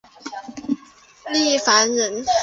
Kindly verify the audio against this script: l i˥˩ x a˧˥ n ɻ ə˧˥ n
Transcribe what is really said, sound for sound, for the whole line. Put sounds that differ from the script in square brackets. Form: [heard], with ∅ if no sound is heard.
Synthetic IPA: l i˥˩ [f] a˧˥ n ɻ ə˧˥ n